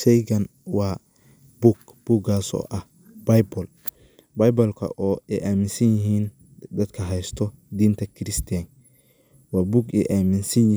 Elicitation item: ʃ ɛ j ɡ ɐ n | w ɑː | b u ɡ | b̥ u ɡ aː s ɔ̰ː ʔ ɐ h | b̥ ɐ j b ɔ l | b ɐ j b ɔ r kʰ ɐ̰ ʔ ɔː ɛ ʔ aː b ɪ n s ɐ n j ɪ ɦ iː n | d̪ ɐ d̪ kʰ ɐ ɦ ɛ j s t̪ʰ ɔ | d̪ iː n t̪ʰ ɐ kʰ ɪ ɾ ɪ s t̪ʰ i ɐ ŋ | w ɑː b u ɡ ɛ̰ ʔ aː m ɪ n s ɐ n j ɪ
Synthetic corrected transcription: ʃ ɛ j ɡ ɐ n | w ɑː | b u ɡ | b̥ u ɡ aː s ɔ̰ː ʔ ɐ h | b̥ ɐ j b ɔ l | b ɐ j b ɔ l kʰ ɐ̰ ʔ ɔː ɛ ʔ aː m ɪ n s ɐ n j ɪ ɦ iː n | d̪ ɐ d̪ kʰ ɐ ɦ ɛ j s t̪ʰ ɔ | d̪ iː n t̪ʰ ɐ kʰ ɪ ɾ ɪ s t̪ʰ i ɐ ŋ | w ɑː b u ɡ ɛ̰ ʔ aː m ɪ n s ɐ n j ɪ